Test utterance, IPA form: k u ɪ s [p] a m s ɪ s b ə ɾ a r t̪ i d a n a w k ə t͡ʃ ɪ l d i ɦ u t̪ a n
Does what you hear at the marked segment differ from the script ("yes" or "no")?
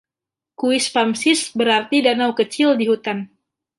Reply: no